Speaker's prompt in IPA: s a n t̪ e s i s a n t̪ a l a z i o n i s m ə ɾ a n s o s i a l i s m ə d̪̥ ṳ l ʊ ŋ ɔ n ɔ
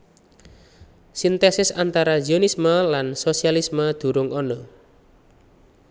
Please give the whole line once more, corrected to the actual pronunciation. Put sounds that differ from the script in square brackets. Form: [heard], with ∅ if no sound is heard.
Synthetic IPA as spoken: s [i] n t̪ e s [ɪ] s a n t̪ a [ɾ] a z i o n i s m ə [l] a n s o s i a l i s m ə d̪̥ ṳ [ɾ] ʊ ŋ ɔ n ɔ